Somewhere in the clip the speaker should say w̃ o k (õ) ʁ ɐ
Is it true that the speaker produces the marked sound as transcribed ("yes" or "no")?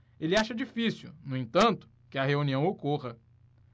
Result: no